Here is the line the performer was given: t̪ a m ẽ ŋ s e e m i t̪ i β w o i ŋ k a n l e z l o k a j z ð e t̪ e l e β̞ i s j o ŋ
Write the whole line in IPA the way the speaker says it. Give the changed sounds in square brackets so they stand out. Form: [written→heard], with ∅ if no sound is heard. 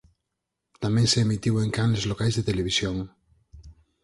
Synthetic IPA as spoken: t̪ a m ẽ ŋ s e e m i t̪ i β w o [i→e] ŋ k a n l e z l o k a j z ð e t̪ e l e β̞ i s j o ŋ